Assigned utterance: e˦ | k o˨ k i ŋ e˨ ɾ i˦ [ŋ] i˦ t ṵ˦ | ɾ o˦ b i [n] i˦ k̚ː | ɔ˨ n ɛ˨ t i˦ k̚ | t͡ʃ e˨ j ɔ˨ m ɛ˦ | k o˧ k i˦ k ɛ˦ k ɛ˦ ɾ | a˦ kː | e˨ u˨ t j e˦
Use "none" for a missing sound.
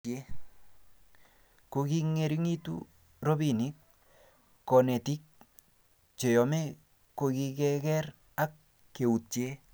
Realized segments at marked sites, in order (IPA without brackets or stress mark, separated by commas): ŋ, n